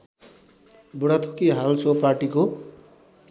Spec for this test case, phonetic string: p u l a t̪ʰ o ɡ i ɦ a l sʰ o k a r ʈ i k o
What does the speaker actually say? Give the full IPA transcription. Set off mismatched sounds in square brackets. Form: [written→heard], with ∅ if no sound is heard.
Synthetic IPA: [p→b] u [l→ɽ] a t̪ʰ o [ɡ→k] i ɦ a l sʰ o [k→p] a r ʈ i k o